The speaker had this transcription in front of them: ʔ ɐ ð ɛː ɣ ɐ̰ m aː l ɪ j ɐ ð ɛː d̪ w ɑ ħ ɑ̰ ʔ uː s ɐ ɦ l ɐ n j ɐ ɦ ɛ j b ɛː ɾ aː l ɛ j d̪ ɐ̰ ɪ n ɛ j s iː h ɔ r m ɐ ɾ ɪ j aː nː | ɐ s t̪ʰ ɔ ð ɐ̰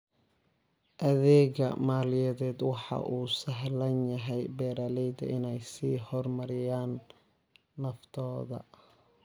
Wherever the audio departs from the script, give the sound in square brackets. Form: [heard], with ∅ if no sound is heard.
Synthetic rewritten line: ʔ ɐ ð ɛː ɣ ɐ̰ m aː l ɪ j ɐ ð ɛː d̪ w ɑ ħ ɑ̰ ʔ uː s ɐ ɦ l ɐ n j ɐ ɦ ɛ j b ɛː ɾ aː l ɛ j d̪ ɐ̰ ɪ n ɛ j s iː h ɔ r m ɐ ɾ ɪ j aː nː | ɐ [f] t̪ʰ [ɔː] ð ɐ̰